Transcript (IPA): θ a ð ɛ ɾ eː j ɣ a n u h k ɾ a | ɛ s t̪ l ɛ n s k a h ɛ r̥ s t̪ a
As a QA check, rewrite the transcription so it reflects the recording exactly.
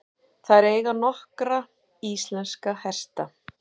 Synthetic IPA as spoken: θ a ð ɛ ɾ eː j ɣ a n ɔ h k ɾ a | i s t̪ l ɛ n s k a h ɛ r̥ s t̪ a